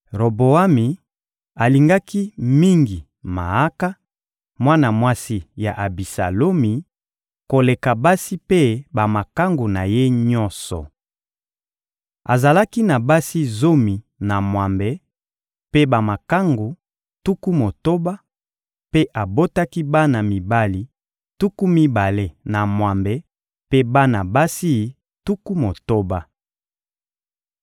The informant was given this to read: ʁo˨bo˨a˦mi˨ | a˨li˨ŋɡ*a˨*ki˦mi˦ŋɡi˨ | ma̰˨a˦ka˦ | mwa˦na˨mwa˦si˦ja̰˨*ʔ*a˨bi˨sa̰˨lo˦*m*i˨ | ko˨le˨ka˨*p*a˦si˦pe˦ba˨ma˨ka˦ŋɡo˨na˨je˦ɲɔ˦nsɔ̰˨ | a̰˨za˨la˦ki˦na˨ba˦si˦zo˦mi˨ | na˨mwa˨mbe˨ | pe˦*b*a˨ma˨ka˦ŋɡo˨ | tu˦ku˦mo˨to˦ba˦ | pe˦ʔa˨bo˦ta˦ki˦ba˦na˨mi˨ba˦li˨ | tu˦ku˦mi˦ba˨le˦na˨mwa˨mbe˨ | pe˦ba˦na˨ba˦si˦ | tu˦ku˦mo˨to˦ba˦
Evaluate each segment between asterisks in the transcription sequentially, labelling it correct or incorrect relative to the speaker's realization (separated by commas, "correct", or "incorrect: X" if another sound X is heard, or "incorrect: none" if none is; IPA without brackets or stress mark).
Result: incorrect: a˦, correct, correct, incorrect: b, correct